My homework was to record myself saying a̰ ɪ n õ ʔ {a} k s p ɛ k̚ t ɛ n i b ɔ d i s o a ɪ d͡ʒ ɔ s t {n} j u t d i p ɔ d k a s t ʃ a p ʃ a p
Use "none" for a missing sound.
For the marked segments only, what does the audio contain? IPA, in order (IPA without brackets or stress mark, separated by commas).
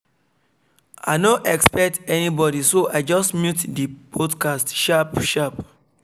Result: ɛ, m